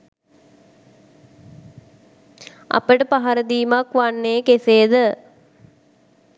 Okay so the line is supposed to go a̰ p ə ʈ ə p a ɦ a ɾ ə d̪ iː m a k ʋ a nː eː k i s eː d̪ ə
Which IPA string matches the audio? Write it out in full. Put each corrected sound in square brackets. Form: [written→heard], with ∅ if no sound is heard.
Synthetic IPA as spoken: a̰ p ə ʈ ə p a ɦ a ɾ ə d̪ iː m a k ʋ a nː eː k [i→e] s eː d̪ ə